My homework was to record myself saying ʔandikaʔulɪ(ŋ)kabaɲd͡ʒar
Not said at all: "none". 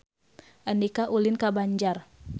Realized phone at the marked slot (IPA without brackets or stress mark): n